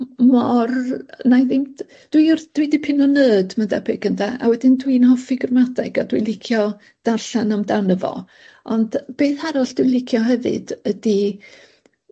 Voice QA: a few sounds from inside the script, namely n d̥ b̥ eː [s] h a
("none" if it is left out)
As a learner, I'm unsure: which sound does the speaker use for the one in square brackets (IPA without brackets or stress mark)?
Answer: θ